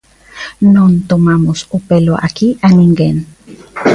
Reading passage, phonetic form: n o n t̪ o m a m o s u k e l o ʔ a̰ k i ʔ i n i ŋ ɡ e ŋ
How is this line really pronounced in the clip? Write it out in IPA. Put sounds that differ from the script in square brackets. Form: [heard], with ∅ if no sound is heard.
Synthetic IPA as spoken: n o n t̪ o m a m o s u [p] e l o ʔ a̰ k i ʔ [a] n i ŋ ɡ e [n]